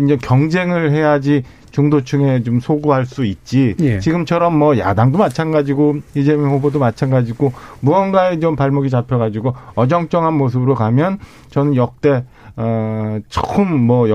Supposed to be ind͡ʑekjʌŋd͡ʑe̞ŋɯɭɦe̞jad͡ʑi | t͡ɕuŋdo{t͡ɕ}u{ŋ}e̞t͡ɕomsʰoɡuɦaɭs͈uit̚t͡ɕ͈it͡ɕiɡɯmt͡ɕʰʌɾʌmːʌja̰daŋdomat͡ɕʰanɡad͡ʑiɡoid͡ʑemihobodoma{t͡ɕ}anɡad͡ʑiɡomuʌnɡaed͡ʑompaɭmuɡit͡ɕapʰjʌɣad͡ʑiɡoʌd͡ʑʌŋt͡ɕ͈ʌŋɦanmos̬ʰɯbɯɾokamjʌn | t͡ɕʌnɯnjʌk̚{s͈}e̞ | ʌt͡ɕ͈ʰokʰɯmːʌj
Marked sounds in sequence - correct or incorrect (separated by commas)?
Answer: incorrect, correct, incorrect, incorrect